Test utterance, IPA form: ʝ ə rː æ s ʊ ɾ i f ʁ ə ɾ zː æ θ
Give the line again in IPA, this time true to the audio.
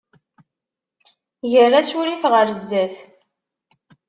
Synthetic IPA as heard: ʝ ə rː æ s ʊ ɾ i f ʁ ə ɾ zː æ θ